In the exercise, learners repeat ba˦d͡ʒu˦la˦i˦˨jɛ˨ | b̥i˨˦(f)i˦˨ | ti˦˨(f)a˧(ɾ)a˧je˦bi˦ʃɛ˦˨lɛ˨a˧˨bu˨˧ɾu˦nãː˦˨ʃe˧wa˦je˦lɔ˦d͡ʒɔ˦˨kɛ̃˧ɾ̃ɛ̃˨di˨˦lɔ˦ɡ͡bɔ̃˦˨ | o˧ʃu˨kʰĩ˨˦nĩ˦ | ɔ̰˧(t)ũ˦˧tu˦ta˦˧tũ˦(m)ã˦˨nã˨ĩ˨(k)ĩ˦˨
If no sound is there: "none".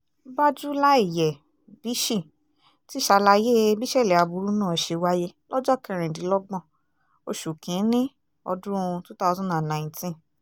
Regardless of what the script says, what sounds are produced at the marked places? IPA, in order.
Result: ʃ, ʃ, l, d, n, t

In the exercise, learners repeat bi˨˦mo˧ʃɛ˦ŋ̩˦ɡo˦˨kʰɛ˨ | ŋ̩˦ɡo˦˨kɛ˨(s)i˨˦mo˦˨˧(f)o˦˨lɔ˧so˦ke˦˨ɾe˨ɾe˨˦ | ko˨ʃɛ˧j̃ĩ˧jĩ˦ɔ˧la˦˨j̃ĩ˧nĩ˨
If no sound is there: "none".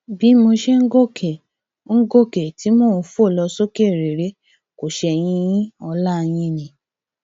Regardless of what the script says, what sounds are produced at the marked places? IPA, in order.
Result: t, f

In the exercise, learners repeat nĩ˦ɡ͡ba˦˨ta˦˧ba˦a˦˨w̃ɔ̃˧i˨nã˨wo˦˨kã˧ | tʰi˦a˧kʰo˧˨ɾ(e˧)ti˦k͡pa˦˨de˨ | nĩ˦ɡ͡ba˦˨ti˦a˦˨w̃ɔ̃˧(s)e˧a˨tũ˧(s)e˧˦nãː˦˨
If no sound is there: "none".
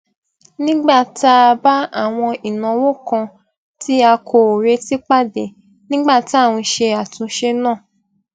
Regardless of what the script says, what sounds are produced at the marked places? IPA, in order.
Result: e˧, ʃ, ʃ

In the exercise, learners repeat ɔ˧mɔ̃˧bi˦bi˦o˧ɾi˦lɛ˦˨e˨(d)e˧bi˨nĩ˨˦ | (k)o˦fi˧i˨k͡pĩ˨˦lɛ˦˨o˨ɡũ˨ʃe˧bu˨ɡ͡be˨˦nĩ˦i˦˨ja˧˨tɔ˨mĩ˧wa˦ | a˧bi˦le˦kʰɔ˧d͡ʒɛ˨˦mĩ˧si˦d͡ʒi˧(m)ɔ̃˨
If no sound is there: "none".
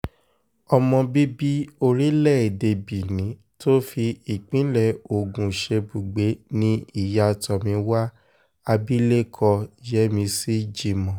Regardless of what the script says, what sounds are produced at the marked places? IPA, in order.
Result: d, t, m

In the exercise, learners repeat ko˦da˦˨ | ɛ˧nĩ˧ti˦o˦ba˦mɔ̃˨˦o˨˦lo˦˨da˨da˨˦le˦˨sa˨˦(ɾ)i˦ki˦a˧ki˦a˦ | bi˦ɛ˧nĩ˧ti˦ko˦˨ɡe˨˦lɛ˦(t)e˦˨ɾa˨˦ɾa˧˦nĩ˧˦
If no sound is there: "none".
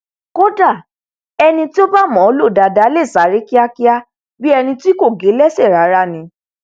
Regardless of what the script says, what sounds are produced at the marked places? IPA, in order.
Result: ɾ, s

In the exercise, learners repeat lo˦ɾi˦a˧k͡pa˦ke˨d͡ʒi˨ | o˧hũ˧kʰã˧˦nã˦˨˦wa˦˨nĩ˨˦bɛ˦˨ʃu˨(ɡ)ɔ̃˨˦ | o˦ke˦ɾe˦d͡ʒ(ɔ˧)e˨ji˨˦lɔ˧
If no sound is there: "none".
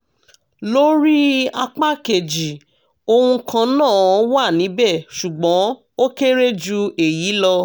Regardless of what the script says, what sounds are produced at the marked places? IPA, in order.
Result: ɡ͡b, u˧

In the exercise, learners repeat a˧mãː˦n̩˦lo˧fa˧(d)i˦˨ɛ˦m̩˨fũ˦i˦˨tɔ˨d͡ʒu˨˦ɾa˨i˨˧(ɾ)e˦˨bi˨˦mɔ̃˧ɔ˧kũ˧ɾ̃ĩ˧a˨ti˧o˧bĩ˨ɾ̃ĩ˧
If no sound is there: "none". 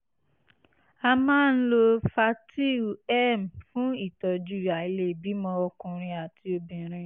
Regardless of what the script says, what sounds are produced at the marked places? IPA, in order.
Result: t, l

